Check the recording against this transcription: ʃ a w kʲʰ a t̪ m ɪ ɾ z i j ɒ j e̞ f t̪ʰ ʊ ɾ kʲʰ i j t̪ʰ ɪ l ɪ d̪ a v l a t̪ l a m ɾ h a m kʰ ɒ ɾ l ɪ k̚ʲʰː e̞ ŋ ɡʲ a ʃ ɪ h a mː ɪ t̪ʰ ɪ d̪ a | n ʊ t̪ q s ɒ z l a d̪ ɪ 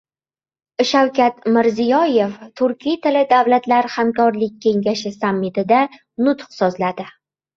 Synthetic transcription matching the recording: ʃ a w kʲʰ a t̪ m ɪ ɾ z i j ɒ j e̞ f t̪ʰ ʊ ɾ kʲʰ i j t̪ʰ ɪ l ɪ d̪ a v l a t̪ l a ɾ h a m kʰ ɒ ɾ l ɪ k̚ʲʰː e̞ ŋ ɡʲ a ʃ ɪ s a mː ɪ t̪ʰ ɪ d̪ a | n ʊ t̪ q s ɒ z l a d̪ ɪ